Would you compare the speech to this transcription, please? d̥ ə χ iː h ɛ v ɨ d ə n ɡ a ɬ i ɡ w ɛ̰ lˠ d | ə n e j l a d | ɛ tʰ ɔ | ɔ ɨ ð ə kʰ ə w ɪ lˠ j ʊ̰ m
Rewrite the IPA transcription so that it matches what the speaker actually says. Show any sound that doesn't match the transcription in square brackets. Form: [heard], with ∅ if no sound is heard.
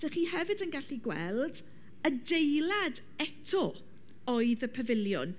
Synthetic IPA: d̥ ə χ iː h ɛ v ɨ d ə n ɡ a ɬ i ɡ w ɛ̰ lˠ d | ə [d] e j l a d | ɛ tʰ ɔ | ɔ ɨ ð ə [pʰ] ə [v] ɪ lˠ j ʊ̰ [n]

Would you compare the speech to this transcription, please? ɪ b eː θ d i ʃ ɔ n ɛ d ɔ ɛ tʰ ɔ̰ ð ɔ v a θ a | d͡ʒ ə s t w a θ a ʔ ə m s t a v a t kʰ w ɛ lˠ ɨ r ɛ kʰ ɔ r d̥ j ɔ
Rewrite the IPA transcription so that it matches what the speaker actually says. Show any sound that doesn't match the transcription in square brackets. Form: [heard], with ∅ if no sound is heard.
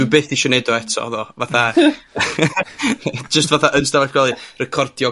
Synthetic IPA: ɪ b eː θ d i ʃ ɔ n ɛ d ɔ ɛ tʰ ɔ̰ ð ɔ v a θ a | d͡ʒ ə s t [v] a θ a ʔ ə [n] s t a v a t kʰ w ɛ lˠ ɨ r ɛ kʰ ɔ r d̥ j ɔ

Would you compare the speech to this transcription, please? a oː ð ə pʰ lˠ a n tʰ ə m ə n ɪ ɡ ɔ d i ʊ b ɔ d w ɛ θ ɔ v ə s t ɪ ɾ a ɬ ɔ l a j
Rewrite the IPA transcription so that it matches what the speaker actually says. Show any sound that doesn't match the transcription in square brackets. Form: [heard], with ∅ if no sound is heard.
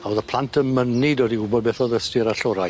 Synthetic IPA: a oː ð ə pʰ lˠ a n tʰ ə m ə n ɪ [d] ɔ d i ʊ b ɔ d [b] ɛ θ ɔ [ð] ə s t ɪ ɾ a ɬ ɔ [ɾ] a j

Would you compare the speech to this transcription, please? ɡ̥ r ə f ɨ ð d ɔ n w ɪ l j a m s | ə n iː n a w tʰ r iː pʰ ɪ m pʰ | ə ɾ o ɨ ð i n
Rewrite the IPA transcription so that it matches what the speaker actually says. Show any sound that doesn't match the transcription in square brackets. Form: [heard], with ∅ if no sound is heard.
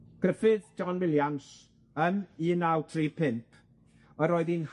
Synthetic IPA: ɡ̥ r ə f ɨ ð [d͡ʒ] ɔ n w ɪ l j a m s | ə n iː n a w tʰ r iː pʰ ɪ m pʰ | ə ɾ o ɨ ð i n

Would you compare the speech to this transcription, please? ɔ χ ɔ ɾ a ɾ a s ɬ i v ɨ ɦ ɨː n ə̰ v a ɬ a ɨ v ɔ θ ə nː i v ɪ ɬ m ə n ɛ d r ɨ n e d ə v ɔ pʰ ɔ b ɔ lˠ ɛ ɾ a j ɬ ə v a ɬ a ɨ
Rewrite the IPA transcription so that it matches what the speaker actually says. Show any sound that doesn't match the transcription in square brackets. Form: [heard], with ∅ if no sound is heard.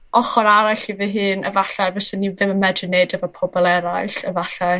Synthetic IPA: ɔ χ ɔ ɾ a ɾ a [∅] ɬ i v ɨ ɦ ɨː n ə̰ v a ɬ a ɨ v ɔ [s] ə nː i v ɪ [∅] m ə [m] ɛ d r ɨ n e d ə v ɔ pʰ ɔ b ɔ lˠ ɛ ɾ a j ɬ ə v a ɬ a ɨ

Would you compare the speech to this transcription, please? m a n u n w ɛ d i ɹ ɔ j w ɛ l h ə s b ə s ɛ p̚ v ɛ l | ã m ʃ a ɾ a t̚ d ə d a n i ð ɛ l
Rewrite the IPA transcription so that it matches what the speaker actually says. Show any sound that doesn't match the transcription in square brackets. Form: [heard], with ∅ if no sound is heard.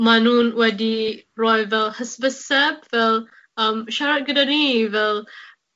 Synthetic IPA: m a n u n w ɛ d i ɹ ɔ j [v] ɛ l h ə s b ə s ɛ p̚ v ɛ l | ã m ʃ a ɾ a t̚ [ɡ] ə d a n i [v] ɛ l

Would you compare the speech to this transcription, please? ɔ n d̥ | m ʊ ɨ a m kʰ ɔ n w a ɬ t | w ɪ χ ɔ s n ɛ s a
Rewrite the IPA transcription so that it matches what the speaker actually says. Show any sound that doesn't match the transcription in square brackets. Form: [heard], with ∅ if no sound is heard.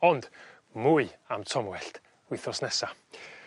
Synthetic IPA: ɔ n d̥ | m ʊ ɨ a m [tʰ] ɔ [m] w [ɛ] ɬ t | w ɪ [θ] ɔ s n ɛ s a

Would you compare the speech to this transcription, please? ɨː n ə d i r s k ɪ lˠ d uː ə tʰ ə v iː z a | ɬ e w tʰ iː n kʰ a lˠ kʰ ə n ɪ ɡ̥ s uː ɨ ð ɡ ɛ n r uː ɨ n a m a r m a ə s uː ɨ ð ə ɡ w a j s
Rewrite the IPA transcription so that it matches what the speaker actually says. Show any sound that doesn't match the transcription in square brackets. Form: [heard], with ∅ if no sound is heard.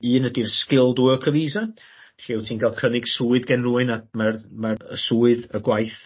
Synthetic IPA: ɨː n ə d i r s k ɪ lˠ d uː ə [kʰ] ə v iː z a | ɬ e w tʰ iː n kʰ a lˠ kʰ ə n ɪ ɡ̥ s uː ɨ ð ɡ ɛ n r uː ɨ n a m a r m a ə s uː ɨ ð ə ɡ w a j [θ]

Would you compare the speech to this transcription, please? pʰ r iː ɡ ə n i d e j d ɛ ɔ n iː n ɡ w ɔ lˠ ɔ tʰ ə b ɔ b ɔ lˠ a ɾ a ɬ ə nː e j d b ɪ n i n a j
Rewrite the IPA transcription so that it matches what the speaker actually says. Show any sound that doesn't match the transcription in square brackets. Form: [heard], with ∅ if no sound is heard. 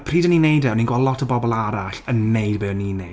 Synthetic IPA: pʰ r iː [d] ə n i [n] e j d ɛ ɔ n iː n ɡ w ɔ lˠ ɔ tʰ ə b ɔ b ɔ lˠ a ɾ a ɬ ə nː e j d b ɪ n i n [e] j

